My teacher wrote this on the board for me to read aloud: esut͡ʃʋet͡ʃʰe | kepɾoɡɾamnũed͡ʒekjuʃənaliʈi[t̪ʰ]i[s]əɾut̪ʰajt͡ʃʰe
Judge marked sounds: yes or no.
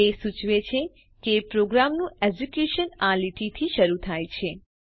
yes, no

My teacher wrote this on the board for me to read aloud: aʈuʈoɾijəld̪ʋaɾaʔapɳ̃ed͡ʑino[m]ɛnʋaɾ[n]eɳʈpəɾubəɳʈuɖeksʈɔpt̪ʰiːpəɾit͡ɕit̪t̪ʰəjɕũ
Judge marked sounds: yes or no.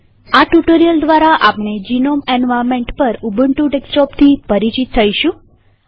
yes, no

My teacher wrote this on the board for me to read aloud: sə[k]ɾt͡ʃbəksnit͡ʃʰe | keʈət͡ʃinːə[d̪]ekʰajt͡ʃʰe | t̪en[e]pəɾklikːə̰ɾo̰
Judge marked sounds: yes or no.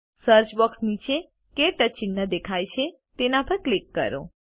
no, yes, no

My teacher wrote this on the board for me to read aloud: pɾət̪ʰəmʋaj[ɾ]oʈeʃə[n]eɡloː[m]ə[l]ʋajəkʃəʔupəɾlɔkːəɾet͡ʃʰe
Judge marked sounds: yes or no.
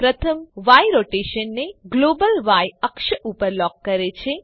yes, no, no, yes

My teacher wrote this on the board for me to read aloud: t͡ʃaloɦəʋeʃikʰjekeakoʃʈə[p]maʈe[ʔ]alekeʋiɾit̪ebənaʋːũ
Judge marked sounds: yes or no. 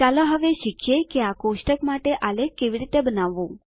no, yes

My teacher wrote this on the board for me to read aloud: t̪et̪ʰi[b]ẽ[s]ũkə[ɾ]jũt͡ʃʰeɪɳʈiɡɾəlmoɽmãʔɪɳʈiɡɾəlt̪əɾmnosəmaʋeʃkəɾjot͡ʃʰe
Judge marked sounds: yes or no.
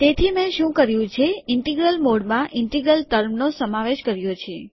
no, no, yes

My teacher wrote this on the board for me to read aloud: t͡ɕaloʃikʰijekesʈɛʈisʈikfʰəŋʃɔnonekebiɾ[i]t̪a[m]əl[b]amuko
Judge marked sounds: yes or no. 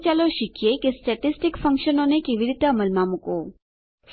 yes, yes, no

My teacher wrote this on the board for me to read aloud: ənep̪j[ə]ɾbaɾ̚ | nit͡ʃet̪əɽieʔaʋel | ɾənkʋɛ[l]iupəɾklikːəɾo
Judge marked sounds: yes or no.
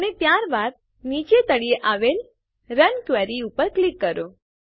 no, no

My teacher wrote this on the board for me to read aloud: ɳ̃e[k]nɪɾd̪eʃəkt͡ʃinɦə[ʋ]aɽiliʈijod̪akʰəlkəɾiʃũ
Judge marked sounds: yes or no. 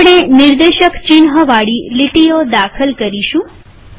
no, yes

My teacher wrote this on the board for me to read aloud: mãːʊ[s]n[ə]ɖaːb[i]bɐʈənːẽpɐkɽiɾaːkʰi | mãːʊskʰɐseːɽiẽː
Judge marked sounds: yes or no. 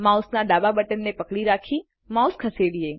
yes, no, no

